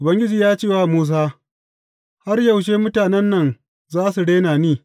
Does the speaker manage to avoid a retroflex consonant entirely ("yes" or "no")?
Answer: no